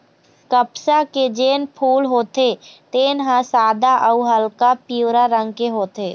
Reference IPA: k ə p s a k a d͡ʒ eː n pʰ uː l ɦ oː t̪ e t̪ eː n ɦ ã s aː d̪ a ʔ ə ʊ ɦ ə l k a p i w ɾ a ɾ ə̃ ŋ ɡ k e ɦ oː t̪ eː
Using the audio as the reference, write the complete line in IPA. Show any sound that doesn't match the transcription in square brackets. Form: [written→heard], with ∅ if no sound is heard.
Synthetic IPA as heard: k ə p s a k [a→e] d͡ʒ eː n pʰ uː l ɦ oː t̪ e t̪ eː n ɦ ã s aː d̪ a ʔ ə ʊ ɦ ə l k a p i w ɾ a ɾ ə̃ ŋ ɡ k e ɦ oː t̪ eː